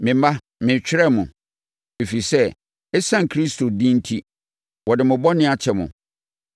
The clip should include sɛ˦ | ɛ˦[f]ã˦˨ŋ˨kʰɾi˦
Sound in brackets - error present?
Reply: yes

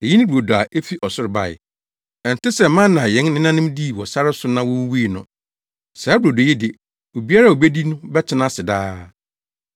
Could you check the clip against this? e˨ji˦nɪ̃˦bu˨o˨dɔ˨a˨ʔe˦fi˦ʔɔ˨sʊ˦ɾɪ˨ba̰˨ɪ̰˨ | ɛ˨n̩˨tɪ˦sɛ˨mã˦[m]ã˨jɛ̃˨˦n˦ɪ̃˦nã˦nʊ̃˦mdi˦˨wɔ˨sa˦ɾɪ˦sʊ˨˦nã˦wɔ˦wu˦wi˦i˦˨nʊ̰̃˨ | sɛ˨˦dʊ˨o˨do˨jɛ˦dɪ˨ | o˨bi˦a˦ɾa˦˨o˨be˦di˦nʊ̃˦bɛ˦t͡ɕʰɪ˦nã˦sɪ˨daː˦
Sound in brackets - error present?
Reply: yes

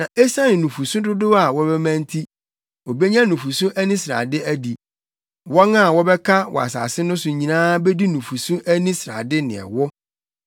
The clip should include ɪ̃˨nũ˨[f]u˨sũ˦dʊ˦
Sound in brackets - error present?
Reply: no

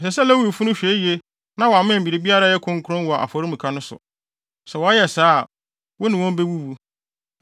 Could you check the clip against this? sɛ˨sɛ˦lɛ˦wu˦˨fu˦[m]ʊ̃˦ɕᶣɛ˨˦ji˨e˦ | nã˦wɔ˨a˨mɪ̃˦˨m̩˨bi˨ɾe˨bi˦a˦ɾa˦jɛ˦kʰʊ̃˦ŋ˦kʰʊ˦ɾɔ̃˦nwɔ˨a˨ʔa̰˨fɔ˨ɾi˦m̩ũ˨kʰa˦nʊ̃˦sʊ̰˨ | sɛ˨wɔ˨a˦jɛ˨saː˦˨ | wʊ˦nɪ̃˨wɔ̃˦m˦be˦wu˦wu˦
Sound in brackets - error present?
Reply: yes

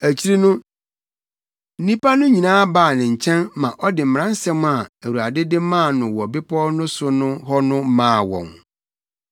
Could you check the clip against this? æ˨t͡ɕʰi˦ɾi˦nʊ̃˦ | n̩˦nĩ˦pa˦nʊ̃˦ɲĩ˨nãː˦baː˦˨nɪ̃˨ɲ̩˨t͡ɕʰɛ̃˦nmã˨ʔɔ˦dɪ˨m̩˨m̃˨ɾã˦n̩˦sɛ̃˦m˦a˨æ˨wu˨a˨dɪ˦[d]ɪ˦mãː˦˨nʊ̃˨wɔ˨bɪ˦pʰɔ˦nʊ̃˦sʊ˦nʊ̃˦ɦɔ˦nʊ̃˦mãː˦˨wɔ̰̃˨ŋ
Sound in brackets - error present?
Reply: no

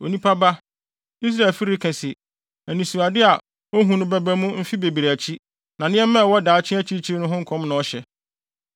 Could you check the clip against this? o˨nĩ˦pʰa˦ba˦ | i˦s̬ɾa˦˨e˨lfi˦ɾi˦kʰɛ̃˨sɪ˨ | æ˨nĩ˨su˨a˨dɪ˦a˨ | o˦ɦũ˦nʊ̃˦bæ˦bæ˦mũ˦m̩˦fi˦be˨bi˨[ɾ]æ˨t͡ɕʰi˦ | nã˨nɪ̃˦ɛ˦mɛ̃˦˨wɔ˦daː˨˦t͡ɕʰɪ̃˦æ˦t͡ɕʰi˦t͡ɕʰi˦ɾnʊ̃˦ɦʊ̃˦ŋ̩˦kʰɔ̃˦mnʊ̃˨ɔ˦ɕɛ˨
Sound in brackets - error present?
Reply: no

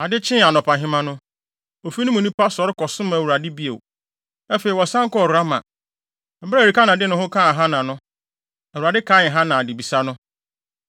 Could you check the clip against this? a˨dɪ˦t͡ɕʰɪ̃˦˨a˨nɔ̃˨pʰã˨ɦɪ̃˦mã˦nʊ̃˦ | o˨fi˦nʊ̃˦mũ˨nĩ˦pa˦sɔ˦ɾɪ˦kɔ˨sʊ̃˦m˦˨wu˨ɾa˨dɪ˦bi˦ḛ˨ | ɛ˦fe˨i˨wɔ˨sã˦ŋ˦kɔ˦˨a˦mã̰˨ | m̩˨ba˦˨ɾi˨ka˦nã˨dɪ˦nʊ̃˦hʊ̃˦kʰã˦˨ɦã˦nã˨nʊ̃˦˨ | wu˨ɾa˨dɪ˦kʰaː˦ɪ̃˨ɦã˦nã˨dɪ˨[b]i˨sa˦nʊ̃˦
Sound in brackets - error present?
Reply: no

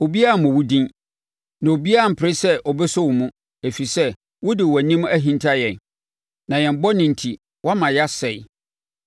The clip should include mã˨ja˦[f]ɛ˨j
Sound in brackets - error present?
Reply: yes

